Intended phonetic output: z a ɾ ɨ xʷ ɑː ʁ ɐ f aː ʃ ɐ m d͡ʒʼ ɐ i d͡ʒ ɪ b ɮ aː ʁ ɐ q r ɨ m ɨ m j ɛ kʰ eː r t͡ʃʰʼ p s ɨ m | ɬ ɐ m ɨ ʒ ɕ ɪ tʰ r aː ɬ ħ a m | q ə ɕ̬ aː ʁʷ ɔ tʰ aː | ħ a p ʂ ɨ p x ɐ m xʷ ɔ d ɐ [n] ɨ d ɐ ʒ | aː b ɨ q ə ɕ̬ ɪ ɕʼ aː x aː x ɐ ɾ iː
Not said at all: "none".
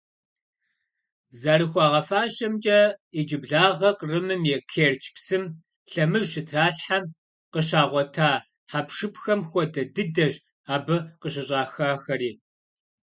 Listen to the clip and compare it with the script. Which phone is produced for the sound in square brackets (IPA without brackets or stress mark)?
d